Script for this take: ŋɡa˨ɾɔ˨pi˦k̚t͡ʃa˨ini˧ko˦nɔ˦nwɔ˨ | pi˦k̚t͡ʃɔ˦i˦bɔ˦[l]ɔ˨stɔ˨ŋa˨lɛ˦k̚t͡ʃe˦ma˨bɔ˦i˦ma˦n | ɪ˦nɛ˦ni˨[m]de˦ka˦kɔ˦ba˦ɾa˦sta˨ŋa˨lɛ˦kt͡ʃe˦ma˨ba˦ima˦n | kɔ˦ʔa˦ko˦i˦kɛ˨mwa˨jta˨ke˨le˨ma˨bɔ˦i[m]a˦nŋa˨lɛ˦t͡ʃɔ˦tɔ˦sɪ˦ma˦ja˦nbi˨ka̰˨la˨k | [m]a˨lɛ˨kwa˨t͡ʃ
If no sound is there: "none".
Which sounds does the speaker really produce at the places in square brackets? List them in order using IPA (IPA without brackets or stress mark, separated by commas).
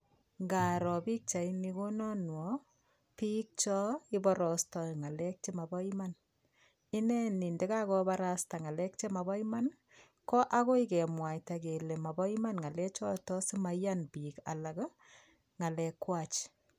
ɾ, n, m, ŋ